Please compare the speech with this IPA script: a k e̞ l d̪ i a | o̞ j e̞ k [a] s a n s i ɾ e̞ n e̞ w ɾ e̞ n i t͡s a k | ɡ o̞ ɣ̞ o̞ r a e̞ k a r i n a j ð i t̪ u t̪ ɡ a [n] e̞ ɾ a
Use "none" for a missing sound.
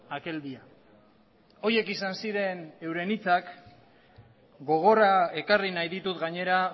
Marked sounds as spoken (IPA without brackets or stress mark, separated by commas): i, ɲ